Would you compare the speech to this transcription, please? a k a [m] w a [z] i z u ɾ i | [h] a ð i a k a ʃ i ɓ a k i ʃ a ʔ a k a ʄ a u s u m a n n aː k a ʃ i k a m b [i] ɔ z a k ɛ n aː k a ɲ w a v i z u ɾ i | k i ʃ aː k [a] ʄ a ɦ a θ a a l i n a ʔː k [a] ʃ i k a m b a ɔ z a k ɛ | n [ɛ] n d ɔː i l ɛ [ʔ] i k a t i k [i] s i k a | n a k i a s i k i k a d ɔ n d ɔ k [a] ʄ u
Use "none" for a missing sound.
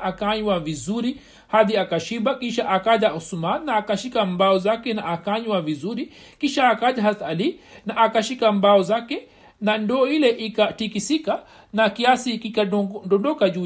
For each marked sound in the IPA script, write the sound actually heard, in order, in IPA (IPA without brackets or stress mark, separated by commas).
ɲ, v, h, a, a, a, a, ʔ, i, a